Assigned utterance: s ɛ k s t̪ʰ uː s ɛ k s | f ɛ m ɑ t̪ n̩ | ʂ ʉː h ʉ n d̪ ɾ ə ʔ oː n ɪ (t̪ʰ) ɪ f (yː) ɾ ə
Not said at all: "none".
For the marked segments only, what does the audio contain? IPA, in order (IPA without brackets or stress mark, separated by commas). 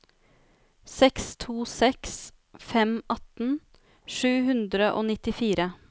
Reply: t̪, iː